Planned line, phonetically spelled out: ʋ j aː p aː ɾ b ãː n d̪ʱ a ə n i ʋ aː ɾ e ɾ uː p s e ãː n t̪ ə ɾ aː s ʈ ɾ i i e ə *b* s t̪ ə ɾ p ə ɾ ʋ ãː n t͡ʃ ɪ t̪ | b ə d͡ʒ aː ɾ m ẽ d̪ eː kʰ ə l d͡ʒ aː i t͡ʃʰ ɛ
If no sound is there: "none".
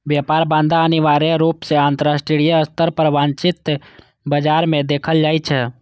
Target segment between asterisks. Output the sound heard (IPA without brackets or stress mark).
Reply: none